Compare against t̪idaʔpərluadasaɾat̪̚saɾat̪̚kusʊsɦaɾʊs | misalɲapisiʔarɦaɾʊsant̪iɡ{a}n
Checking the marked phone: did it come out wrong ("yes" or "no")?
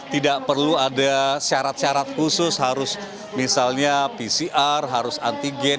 yes